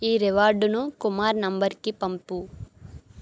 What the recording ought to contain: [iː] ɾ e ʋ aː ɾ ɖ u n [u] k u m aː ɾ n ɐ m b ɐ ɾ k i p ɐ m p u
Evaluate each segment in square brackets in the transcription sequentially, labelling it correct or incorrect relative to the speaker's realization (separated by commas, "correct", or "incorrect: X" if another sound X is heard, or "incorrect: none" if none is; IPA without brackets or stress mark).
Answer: correct, correct